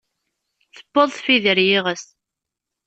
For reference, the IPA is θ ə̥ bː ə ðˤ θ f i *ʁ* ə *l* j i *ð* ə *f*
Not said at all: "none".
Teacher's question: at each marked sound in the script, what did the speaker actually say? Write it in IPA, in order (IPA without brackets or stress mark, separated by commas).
ð, ɾ, ʁ, s